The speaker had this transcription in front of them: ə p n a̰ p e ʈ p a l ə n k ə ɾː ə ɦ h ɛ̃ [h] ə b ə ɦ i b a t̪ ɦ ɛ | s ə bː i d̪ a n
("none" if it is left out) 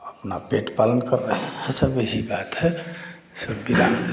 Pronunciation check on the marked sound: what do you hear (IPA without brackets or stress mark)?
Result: s